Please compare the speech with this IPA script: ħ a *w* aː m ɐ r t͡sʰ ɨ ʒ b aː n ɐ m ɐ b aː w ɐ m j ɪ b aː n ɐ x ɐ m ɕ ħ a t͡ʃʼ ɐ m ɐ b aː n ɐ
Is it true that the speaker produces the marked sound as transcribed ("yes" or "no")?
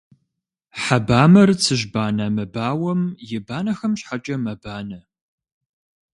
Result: no